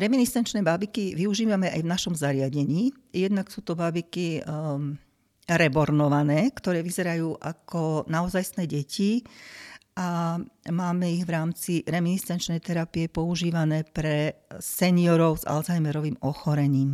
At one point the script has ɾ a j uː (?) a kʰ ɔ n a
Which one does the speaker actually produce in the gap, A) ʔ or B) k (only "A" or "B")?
A